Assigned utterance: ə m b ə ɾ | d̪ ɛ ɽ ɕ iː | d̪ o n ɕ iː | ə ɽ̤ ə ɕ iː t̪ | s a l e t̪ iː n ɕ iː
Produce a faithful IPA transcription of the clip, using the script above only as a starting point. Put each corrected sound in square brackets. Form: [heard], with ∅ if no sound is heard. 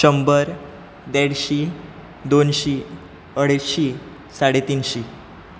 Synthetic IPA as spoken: ə m b ə ɾ | d̪ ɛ ɽ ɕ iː | d̪ o n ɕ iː | ə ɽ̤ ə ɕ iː [∅] | s a [ɽ] e t̪ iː n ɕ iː